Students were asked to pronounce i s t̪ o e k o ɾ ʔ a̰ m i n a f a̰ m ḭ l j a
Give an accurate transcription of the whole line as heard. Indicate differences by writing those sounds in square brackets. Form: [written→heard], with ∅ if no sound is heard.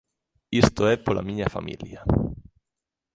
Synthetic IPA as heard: i s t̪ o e [k→p] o [ɾ→l] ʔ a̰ m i [n→ɲ] a f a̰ m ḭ l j a